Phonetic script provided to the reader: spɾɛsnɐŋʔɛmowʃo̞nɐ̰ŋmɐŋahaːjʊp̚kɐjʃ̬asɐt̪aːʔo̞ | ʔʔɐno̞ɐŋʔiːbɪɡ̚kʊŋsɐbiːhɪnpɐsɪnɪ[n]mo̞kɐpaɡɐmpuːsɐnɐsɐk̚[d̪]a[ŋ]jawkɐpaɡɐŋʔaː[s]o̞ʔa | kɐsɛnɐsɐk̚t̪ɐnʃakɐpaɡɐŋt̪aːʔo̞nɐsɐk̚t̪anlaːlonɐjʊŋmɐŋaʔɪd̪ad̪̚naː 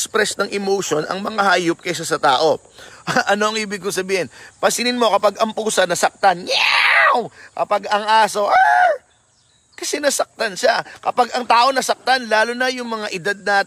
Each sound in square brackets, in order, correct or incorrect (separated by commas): correct, incorrect, incorrect, correct